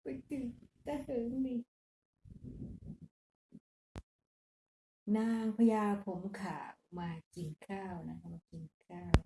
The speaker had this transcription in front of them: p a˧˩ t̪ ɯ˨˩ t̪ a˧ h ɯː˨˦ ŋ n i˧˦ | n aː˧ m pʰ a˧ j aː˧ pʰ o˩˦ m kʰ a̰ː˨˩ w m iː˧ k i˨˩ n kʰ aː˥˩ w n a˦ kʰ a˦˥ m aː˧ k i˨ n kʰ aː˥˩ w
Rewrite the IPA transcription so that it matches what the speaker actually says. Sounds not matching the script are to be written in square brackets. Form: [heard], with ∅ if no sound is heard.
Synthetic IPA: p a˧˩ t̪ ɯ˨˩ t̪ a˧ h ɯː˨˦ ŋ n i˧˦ | n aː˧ [ŋ] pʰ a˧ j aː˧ pʰ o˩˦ m kʰ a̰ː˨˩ w m [aː˧] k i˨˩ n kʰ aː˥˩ w n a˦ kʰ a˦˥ m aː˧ k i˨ n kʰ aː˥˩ w